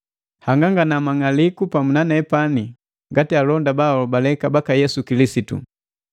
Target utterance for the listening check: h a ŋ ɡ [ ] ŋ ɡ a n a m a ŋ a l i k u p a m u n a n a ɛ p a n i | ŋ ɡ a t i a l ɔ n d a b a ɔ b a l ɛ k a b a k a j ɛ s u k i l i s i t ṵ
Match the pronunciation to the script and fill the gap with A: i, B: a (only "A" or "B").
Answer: B